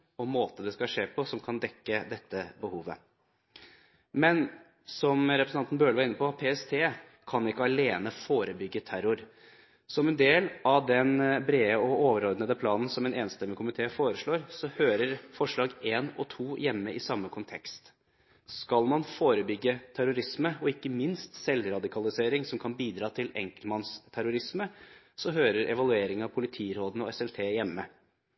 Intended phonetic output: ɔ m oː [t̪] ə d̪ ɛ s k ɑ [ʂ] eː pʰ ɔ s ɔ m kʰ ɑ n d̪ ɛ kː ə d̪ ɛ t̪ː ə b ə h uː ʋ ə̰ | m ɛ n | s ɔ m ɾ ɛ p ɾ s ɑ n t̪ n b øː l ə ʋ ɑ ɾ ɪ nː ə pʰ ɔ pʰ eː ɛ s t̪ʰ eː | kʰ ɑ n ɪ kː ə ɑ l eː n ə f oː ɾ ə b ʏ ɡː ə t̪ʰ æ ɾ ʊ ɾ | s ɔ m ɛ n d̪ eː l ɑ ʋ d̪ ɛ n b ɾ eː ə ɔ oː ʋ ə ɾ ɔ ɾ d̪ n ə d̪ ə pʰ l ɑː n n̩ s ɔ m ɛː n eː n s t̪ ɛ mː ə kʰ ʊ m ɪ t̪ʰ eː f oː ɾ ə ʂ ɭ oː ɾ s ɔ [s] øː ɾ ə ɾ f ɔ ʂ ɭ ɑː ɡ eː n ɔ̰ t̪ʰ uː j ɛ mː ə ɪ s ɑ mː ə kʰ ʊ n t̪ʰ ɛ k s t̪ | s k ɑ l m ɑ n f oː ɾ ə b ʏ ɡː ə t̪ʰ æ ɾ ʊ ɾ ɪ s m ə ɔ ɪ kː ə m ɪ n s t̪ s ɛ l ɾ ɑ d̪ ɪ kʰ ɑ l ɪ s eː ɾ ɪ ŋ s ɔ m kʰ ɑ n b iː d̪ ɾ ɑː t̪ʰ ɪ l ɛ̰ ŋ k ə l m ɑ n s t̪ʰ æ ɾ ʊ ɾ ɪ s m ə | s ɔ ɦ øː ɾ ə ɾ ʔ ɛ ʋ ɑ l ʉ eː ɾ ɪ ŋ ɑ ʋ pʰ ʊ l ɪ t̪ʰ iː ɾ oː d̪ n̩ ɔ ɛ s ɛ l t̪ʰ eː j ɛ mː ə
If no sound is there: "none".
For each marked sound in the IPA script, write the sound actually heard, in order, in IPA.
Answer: t̪, ʂ, h

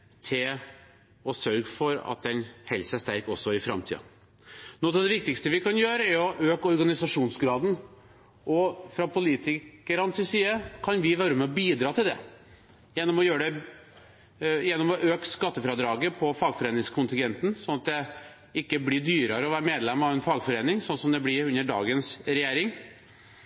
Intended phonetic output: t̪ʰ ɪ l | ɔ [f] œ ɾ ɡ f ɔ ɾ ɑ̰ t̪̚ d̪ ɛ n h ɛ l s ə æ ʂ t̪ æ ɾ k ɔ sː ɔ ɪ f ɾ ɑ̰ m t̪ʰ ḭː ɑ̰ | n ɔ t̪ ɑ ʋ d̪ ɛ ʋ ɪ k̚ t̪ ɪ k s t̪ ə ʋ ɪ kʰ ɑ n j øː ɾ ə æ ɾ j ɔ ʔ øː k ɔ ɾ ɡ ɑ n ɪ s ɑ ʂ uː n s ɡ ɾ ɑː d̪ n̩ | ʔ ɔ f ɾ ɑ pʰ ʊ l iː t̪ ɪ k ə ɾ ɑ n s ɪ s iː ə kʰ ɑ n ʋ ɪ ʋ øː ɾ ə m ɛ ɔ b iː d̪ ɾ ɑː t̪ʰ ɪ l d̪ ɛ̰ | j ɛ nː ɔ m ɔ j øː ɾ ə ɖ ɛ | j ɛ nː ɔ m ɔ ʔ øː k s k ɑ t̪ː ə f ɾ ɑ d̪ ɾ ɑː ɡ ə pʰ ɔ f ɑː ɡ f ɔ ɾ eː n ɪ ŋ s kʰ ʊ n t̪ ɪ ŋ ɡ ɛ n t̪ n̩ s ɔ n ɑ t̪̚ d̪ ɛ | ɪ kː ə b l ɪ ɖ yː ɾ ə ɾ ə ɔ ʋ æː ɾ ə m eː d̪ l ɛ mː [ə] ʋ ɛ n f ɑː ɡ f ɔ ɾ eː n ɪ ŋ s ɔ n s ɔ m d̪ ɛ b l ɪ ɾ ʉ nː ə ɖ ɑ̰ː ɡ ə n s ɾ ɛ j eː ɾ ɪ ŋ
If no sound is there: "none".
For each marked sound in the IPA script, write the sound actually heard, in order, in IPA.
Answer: s, ɑ

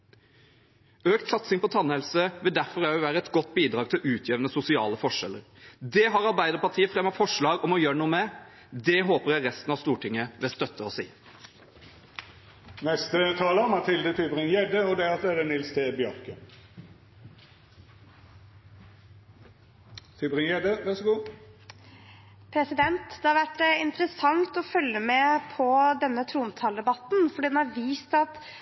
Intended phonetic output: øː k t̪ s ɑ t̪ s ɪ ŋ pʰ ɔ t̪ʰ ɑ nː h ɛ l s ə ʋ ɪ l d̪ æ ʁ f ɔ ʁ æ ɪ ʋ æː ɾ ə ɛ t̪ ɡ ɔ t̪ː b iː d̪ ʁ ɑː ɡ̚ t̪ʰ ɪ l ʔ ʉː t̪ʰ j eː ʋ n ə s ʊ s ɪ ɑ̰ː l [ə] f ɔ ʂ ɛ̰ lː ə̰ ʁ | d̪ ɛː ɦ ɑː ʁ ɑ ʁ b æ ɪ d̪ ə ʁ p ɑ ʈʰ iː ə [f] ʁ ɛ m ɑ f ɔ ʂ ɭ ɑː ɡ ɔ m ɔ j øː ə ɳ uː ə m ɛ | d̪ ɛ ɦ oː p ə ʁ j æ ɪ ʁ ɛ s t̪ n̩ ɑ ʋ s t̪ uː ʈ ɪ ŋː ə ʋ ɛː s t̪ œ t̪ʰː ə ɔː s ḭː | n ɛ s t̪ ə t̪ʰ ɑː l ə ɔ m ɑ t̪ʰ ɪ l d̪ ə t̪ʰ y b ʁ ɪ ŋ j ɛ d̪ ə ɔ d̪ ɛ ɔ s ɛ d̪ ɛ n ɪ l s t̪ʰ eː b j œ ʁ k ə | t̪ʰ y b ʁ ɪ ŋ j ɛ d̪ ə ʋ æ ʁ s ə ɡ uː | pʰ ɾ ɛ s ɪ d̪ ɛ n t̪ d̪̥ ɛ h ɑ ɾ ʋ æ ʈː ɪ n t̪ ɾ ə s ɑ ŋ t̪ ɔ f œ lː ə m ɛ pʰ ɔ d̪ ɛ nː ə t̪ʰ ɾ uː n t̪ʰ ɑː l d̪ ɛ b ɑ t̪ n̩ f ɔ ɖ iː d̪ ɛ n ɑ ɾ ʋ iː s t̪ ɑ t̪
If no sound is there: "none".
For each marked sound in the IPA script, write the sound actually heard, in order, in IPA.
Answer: ə, f

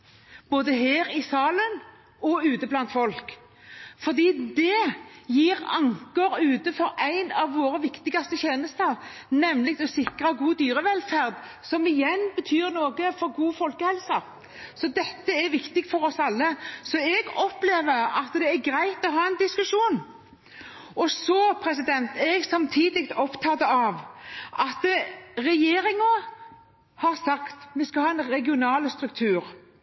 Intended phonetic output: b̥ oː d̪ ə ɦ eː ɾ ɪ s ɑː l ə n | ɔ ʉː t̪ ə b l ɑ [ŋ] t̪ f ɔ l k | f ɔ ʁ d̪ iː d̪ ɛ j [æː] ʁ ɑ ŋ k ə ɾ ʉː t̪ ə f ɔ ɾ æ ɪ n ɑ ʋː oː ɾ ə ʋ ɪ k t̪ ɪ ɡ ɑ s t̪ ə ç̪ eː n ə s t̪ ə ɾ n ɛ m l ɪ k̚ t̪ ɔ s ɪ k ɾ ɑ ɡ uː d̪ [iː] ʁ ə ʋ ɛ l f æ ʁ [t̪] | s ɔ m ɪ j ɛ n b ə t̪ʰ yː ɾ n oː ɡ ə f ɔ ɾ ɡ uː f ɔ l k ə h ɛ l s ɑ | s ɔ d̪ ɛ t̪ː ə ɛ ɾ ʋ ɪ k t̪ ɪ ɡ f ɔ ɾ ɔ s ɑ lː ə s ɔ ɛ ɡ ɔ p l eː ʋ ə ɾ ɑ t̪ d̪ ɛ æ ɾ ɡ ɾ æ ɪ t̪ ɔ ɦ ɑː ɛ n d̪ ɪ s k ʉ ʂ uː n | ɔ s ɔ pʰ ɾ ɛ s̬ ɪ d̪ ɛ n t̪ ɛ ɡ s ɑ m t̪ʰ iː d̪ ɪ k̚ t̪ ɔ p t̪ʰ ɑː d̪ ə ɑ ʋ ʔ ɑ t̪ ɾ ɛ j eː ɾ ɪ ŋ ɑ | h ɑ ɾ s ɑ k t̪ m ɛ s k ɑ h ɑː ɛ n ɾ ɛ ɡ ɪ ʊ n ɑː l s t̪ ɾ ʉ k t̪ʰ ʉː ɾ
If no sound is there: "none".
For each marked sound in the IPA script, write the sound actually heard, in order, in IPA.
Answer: n, iː, yː, d̪

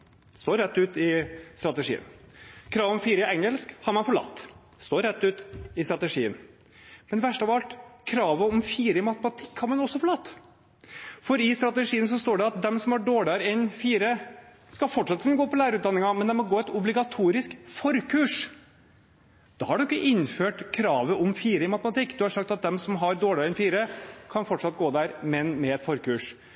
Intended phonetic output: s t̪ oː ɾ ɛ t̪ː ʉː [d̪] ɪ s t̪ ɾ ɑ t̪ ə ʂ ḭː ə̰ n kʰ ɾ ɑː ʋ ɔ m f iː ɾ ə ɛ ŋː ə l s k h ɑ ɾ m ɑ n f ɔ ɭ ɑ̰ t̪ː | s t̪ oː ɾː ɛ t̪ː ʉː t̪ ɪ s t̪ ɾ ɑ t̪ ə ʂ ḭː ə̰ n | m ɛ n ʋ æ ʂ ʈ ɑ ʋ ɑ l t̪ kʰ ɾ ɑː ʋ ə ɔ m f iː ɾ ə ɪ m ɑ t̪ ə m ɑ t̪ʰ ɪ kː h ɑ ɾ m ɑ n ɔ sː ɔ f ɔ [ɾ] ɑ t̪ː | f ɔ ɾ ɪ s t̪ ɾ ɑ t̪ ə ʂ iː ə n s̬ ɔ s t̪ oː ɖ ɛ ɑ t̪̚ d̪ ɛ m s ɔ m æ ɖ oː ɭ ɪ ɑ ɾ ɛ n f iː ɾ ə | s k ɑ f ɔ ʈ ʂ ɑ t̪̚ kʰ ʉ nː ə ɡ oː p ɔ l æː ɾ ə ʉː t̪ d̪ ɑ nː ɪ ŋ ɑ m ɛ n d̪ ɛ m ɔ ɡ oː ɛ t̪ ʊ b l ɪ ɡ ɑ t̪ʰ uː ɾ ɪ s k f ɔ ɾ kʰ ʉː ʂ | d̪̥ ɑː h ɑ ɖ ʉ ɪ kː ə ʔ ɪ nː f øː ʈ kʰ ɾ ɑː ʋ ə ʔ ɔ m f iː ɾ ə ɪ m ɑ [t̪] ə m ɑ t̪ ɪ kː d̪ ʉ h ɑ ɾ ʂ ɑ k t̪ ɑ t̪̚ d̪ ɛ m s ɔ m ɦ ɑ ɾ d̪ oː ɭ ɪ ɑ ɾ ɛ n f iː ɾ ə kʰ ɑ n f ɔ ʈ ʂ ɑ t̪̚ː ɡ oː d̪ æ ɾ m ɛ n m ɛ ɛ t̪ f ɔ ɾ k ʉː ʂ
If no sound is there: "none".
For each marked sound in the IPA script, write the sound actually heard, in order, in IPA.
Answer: t̪, ɭ, t̪

